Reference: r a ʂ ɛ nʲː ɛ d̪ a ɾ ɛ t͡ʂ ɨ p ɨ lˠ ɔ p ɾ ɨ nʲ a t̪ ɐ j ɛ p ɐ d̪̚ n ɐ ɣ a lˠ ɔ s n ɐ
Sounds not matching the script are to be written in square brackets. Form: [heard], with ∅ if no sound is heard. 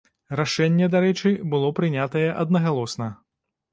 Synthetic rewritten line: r a ʂ ɛ nʲː ɛ d̪ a ɾ ɛ t͡ʂ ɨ [b] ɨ lˠ ɔ p ɾ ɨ nʲ a t̪ ɐ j ɛ [ʔ] ɐ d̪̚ n ɐ ɣ a lˠ ɔ s n ɐ